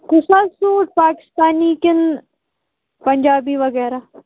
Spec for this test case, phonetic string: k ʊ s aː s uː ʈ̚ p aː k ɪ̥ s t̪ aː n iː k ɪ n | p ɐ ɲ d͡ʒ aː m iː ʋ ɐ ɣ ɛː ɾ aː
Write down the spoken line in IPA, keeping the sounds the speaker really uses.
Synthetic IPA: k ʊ s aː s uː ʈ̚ p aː k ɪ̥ s t̪ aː n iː k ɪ n | p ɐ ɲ d͡ʒ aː b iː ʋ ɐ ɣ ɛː ɾ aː